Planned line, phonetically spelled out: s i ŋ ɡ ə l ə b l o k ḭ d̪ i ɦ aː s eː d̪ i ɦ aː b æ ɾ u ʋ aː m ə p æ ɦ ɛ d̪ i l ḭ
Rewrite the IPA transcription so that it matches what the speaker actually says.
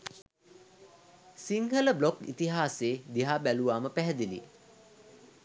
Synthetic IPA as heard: s i ŋ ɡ ə l ə b l o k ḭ t̪ i ɦ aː s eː d̪ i ɦ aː b æ l u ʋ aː m ə p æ ɦ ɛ d̪ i l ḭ